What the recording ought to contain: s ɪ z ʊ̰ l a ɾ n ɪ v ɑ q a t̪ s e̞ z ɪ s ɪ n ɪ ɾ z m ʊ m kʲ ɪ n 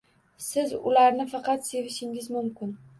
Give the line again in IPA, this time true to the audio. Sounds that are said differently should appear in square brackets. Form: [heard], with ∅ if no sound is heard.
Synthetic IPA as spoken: s ɪ z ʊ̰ l a ɾ n ɪ [f] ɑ q [ɑ] t̪ s e̞ [v] ɪ [ʃ] ɪ [ŋ] ɪ [∅] z m ʊ m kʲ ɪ n